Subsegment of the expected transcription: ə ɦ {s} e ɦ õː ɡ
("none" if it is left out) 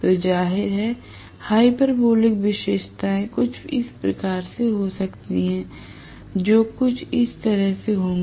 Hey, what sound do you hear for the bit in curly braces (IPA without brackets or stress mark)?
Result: s